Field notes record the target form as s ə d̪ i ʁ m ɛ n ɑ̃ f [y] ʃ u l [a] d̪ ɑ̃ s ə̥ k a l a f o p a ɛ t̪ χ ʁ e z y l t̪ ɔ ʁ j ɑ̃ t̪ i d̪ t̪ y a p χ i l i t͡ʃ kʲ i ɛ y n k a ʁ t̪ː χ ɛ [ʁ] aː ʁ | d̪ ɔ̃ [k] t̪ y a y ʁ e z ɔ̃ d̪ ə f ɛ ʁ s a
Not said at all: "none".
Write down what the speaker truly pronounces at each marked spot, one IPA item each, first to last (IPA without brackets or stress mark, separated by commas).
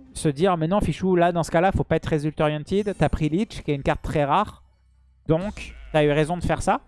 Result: i, a, ʁ, k